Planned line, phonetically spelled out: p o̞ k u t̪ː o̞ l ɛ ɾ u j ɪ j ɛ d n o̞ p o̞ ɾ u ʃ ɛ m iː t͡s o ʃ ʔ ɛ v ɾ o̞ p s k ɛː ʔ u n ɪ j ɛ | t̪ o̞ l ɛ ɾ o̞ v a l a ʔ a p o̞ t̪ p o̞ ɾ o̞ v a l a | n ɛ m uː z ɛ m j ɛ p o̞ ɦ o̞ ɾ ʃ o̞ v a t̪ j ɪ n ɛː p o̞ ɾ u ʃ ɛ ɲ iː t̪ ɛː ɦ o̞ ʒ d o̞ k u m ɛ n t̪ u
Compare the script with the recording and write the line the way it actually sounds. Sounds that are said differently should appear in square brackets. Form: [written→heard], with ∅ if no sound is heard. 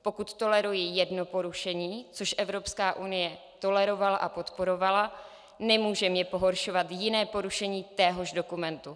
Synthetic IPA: p o̞ k u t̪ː o̞ l ɛ ɾ u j ɪ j ɛ d n o̞ p o̞ ɾ u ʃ ɛ [m→ɲ] iː t͡s o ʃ ʔ ɛ v ɾ o̞ p s k [ɛː→aː] ʔ u n ɪ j ɛ | t̪ o̞ l ɛ ɾ o̞ v a l a ʔ a p o̞ t̪ p o̞ ɾ o̞ v a l a | n ɛ m uː [z→ʒ] ɛ m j ɛ p o̞ ɦ o̞ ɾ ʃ o̞ v a t̪ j ɪ n ɛː p o̞ ɾ u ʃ ɛ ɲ iː t̪ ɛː ɦ o̞ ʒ d o̞ k u m ɛ n t̪ u

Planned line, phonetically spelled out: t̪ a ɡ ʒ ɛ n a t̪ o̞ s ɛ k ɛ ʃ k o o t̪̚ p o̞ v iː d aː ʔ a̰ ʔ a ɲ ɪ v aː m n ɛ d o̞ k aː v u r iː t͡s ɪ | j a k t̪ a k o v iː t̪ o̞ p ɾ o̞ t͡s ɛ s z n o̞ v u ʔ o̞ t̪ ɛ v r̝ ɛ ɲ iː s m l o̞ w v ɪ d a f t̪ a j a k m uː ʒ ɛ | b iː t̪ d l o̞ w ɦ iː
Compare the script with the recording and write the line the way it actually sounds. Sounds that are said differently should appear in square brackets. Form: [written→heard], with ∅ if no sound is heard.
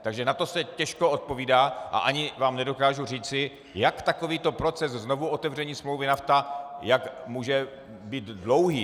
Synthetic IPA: t̪ a ɡ ʒ ɛ n a t̪ o̞ s ɛ [k→c] ɛ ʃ k o o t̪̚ p o̞ v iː d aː ʔ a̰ ʔ a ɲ ɪ v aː m n ɛ d o̞ k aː [v→ʒ] u r iː t͡s ɪ | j a k t̪ a k o v iː t̪ o̞ p ɾ o̞ t͡s ɛ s z n o̞ v u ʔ o̞ t̪ ɛ v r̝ ɛ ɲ iː s m l o̞ w v ɪ [d→n] a f t̪ a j a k m uː ʒ ɛ | b iː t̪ d l o̞ w ɦ iː

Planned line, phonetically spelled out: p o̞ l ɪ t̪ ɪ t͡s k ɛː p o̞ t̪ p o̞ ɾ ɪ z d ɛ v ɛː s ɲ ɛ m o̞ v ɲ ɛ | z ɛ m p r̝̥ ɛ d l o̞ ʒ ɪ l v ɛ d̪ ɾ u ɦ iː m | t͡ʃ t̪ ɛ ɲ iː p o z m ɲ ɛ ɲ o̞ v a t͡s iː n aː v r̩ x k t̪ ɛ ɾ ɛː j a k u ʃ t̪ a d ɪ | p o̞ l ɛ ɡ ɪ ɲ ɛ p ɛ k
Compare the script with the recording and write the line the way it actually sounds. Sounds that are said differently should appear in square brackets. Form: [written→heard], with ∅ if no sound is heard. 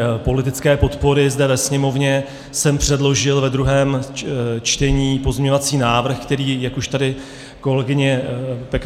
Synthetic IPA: p o̞ l ɪ t̪ ɪ t͡s k ɛː p o̞ t̪ p o̞ ɾ ɪ z d ɛ v [ɛː→ɛ] s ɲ ɛ m o̞ v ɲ ɛ | [z→s] ɛ m p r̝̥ ɛ d l o̞ ʒ ɪ l v ɛ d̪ ɾ u ɦ [iː→ɛː] m | t͡ʃ t̪ ɛ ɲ iː p o z m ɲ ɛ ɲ o̞ v a t͡s iː n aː v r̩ x k t̪ ɛ ɾ [ɛː→iː] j a k u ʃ t̪ a d ɪ | [p→k] o̞ l ɛ ɡ ɪ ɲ ɛ p ɛ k

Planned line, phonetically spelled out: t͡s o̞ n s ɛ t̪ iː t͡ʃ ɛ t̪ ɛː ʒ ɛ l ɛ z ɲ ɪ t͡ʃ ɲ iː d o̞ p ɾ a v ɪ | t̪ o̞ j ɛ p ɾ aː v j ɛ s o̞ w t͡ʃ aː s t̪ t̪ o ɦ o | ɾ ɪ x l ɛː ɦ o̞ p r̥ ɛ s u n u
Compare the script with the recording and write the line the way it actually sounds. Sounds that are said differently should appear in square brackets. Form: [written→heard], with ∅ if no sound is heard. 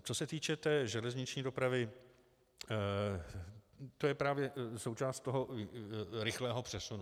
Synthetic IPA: t͡s o̞ [n→∅] s ɛ t̪ iː t͡ʃ ɛ t̪ ɛː ʒ ɛ l ɛ z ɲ ɪ t͡ʃ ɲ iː d o̞ p ɾ a v ɪ | t̪ o̞ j ɛ p ɾ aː v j ɛ s o̞ w t͡ʃ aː s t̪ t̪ o ɦ o | ɾ ɪ x l ɛː ɦ o̞ p r̥ ɛ s u n u

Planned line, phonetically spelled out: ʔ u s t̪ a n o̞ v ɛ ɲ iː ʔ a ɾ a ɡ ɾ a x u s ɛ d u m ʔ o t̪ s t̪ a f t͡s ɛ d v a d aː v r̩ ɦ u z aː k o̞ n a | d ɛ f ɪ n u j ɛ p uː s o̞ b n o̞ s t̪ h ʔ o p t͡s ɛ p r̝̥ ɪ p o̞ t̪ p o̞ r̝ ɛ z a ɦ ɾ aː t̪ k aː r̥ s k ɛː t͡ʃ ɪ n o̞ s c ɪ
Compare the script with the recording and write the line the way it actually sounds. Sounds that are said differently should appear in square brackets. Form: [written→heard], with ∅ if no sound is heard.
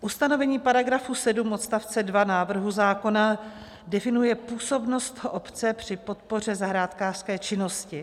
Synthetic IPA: ʔ u s t̪ a n o̞ v ɛ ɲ iː [ʔ→p] a ɾ a ɡ ɾ a [x→f] u s ɛ d u m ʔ o t̪ s t̪ a f t͡s ɛ d v a [d→n] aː v r̩ ɦ u z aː k o̞ n a | d ɛ f ɪ n u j ɛ p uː s o̞ b n o̞ s t̪ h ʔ o p t͡s ɛ p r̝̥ ɪ p o̞ t̪ p o̞ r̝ ɛ z a ɦ ɾ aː t̪ k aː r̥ s k ɛː t͡ʃ ɪ n o̞ s c ɪ

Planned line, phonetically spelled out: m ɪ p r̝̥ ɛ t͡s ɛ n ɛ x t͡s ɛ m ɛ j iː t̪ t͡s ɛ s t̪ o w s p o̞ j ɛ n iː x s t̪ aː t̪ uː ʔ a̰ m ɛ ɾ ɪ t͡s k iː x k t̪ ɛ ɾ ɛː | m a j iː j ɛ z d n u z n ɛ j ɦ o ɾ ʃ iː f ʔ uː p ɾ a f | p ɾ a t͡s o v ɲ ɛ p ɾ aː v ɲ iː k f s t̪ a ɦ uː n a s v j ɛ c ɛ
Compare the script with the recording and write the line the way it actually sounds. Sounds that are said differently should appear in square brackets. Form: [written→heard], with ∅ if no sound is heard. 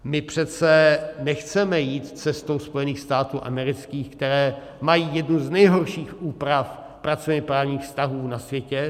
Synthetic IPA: m ɪ p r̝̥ ɛ t͡s ɛ n ɛ x t͡s ɛ m ɛ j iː t̪ t͡s ɛ s t̪ o w s p o̞ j ɛ n iː x s t̪ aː t̪ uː ʔ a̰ m ɛ ɾ ɪ t͡s k iː x k t̪ ɛ ɾ ɛː | m a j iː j ɛ [z→∅] d n u z n ɛ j ɦ o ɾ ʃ iː [f→x] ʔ uː p ɾ a f | p ɾ a t͡s o v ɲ ɛ p ɾ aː v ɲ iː [k→x] f s t̪ a ɦ uː n a s v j ɛ c ɛ

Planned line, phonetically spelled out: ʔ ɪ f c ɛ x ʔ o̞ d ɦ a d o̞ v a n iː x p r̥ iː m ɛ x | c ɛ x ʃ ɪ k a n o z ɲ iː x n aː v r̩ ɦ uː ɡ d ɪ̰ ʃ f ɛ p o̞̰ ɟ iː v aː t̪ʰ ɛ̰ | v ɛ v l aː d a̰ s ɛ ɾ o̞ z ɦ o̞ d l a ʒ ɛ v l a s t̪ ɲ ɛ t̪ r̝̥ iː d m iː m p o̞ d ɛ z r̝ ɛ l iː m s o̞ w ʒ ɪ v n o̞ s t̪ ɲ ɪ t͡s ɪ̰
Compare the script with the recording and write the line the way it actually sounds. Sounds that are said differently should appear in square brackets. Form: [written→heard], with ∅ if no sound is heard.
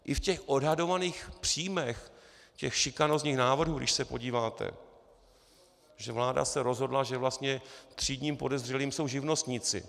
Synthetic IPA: ʔ ɪ f c ɛ x ʔ o̞ d ɦ a d o̞ v a n iː x p r̥ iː m ɛ x | c ɛ x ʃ ɪ k a n o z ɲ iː x n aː v r̩ ɦ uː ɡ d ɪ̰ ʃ [f→s] ɛ p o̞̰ ɟ iː v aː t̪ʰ ɛ̰ | [v→ʒ] ɛ v l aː d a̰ s ɛ ɾ o̞ z ɦ o̞ d l a ʒ ɛ v l a s t̪ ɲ ɛ t̪ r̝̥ iː d [m→ɲ] iː m p o̞ d ɛ z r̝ ɛ l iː m s o̞ w ʒ ɪ v n o̞ s t̪ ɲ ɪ t͡s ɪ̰

